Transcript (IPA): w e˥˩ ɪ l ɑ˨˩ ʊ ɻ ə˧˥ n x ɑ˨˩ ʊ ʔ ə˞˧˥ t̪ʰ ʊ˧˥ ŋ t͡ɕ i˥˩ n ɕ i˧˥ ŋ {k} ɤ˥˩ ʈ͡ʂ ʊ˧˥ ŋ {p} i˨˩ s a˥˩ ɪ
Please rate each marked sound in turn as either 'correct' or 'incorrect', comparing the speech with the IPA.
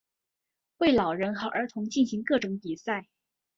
correct, correct

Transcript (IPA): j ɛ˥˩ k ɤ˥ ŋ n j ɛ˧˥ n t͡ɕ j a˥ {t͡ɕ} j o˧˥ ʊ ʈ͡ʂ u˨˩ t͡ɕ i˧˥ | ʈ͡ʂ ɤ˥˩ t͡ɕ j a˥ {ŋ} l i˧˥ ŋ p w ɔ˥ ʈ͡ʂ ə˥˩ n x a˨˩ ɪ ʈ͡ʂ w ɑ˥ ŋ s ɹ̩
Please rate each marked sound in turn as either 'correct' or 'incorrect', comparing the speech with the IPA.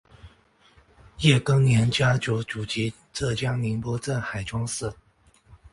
correct, correct

